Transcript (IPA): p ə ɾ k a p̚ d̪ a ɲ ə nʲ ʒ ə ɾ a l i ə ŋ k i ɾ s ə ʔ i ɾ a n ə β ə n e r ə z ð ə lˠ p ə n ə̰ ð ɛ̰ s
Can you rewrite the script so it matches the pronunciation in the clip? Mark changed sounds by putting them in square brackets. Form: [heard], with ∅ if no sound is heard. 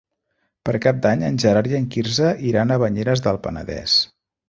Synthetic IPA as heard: p ə ɾ k a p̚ d̪ a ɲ ə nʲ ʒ ə ɾ a [ɾ] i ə ŋ k i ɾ [z] ə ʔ i ɾ a n ə β ə [ɲ] e [ɾ] ə z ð ə lˠ p ə n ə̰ ð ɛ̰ s